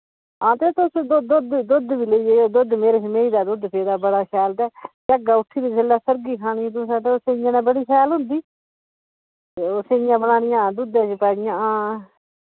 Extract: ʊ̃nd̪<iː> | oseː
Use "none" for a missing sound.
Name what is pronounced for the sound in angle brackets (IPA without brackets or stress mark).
iː